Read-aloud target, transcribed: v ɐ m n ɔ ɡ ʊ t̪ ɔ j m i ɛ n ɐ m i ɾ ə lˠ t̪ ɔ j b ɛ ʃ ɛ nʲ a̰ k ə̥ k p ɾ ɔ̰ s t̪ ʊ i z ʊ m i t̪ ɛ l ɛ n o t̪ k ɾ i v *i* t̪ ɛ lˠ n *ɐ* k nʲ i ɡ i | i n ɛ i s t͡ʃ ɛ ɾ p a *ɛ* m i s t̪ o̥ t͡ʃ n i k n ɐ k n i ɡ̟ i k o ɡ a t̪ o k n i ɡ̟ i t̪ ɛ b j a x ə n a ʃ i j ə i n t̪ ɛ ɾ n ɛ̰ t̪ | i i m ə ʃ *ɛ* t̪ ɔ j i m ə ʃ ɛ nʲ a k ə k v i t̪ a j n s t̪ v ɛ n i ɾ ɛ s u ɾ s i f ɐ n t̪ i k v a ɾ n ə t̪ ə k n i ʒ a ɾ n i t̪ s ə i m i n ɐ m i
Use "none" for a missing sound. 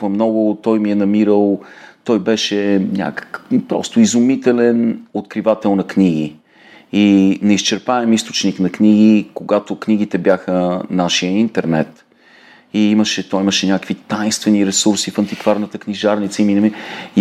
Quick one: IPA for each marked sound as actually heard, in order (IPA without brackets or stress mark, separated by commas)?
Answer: a, ɐ, ɛ, ɛ